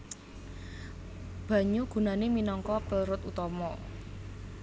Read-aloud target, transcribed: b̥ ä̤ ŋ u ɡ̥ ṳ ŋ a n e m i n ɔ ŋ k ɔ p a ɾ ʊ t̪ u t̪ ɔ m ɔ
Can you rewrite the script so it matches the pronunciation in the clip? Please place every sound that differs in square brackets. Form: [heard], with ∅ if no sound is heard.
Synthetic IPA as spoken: b̥ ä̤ [ɲ] u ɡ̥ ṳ [n] a n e m i n ɔ ŋ k ɔ p [ə] ɾ ʊ t̪ u t̪ ɔ m ɔ